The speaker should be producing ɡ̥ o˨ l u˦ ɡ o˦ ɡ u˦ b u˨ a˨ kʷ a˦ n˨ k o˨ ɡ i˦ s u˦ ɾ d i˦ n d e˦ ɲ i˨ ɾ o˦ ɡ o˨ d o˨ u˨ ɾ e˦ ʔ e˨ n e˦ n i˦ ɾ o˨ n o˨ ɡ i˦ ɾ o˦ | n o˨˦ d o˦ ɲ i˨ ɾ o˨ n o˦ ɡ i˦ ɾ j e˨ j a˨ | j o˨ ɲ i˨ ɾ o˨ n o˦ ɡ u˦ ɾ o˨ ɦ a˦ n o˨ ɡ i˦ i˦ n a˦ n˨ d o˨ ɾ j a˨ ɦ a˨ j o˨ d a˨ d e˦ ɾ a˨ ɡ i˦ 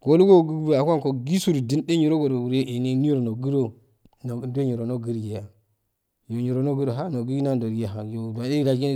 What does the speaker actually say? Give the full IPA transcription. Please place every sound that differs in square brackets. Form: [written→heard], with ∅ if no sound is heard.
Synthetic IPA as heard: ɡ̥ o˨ l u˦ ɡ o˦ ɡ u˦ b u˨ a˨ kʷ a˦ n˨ k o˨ ɡ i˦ s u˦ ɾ d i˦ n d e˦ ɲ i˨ ɾ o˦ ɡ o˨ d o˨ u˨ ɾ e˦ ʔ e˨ n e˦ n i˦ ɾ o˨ n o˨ ɡ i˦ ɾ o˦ | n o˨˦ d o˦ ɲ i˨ ɾ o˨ n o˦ ɡ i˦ ɾ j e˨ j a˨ | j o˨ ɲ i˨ ɾ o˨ n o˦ ɡ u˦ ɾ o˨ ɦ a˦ n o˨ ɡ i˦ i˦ n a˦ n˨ d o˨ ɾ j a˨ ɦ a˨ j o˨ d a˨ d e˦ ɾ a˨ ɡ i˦